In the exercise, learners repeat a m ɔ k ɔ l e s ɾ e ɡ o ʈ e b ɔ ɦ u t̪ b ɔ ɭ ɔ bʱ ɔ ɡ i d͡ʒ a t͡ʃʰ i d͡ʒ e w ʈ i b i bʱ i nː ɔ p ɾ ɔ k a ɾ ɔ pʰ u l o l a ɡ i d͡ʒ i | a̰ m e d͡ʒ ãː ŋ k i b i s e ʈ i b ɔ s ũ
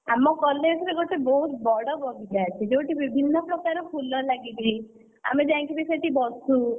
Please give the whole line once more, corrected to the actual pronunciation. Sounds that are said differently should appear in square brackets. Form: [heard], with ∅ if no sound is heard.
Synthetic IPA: a m ɔ k ɔ l e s ɾ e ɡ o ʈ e b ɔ ɦ u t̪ b ɔ [ɽ] ɔ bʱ ɔ ɡ i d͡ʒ a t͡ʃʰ i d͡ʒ e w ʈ i b i bʱ i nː ɔ p ɾ ɔ k a ɾ ɔ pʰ u l [ɔ] l a ɡ i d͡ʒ i | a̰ m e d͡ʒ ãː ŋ k i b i s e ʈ i b ɔ s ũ